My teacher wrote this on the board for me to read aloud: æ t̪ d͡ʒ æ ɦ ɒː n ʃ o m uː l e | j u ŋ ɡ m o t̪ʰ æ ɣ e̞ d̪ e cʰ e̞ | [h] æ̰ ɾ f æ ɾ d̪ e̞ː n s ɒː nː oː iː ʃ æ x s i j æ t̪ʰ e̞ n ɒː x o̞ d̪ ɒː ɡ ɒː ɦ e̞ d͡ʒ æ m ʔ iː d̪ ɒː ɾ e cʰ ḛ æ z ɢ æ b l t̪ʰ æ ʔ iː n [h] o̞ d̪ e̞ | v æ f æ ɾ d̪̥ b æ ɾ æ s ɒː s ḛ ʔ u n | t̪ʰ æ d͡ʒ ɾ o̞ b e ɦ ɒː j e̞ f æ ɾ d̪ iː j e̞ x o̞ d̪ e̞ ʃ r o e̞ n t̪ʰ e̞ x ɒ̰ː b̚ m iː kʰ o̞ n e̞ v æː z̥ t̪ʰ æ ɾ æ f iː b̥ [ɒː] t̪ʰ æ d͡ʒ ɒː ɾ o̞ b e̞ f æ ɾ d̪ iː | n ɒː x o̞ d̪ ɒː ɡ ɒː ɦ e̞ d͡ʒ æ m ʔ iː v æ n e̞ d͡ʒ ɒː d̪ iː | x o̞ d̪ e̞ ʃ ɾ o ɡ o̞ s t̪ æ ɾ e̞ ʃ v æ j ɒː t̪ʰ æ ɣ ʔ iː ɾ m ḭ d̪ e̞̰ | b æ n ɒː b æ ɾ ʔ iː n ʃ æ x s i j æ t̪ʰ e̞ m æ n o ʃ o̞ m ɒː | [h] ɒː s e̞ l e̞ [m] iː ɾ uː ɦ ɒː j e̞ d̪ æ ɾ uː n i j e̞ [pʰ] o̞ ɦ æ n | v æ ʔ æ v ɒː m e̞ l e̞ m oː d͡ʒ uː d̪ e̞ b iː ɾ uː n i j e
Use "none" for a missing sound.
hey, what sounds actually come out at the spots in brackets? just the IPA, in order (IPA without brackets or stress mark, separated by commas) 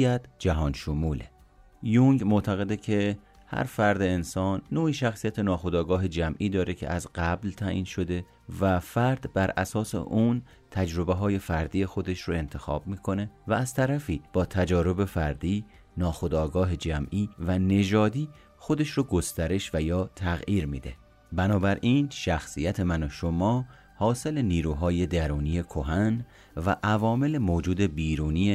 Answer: h, ʃ, ɒː, h, n, kʰ